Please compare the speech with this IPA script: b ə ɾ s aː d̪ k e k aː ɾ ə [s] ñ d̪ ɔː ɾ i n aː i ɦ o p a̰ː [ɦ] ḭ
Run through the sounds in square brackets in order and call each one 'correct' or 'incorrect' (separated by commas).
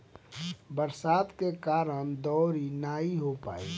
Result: incorrect, incorrect